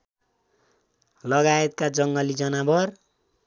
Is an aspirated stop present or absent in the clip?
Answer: absent